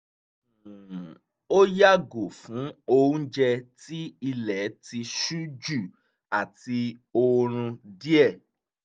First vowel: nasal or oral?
oral